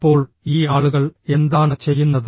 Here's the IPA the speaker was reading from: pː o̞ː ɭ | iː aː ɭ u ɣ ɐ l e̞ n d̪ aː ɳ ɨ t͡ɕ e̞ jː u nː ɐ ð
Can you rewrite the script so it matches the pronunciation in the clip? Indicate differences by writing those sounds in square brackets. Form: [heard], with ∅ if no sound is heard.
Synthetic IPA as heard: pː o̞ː ɭ | iː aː ɭ u ɣ ɐ [ɭ] e̞ n d̪ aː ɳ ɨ t͡ɕ e̞ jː u nː ɐ ð